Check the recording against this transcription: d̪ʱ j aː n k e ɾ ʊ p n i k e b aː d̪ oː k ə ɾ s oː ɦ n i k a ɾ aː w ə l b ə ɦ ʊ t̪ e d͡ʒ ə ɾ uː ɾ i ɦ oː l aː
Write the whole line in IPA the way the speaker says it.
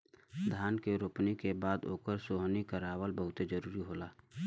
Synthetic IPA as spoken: d̪ʱ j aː n k e ɾ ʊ p n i k e b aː d̪ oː k ə ɾ s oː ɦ n i k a ɾ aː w ə l b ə ɦ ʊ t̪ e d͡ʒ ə ɾ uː ɾ i ɦ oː l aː